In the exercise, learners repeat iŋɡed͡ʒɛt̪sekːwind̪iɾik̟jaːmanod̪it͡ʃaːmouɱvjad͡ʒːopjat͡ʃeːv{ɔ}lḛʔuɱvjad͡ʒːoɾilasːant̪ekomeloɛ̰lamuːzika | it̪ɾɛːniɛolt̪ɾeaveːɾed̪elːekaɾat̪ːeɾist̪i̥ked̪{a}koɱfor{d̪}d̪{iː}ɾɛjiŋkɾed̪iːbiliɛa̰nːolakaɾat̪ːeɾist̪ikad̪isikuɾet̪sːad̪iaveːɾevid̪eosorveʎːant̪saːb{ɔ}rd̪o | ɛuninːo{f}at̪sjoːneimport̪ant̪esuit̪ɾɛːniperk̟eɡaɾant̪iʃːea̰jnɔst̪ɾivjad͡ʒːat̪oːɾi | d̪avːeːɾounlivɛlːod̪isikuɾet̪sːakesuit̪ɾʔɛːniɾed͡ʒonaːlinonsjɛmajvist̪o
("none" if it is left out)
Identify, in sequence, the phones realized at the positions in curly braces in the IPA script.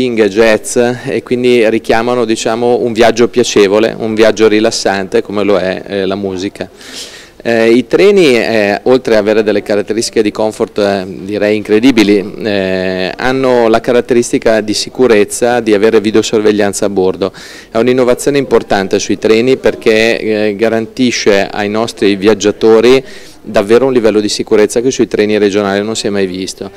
o, i, t̪, i, o, v

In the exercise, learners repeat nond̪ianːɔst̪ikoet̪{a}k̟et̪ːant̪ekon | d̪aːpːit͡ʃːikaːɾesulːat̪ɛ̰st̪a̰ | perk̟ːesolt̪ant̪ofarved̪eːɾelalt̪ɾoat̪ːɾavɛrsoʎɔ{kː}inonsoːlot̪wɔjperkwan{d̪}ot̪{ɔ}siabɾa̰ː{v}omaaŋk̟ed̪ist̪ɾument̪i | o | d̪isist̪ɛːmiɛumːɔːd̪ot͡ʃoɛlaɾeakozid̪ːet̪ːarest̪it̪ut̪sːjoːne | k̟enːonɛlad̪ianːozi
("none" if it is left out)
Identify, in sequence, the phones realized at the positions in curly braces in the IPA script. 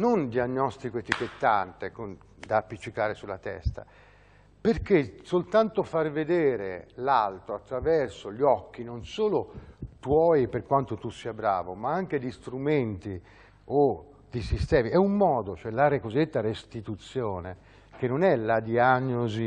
i, kː, t̪, u, v

